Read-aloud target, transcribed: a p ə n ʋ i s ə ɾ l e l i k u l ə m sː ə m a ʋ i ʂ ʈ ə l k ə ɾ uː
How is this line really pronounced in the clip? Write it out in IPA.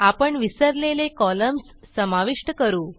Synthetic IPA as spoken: a p ə ɳ ʋ i s ə ɾ l e l e k ɔ l ə m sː ə m a ʋ i ʂ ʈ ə k ə ɾ uː